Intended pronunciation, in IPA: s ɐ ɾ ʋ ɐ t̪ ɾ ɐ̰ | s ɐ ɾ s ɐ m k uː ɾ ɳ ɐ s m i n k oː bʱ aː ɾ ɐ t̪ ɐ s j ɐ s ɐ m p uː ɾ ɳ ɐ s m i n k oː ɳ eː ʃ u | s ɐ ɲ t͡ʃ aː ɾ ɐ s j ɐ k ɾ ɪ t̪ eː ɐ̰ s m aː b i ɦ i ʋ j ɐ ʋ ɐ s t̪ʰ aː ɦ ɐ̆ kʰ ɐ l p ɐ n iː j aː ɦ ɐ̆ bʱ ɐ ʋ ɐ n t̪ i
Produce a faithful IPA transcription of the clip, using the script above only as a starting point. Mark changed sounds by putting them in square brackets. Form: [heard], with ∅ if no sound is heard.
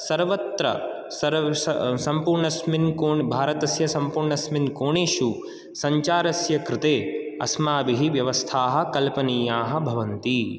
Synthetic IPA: s ɐ ɾ ʋ ɐ t̪ ɾ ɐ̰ | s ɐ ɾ s ɐ m [p] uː ɾ ɳ ɐ s m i n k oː bʱ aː ɾ ɐ t̪ ɐ s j ɐ s ɐ m p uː ɾ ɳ ɐ s m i n k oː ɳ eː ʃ u | s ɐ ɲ t͡ʃ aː ɾ ɐ s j ɐ k ɾ ɪ t̪ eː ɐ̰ s m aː b i ɦ i ʋ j ɐ ʋ ɐ s t̪ʰ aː ɦ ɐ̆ [k] ɐ l p ɐ n iː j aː ɦ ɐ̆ bʱ ɐ ʋ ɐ n t̪ i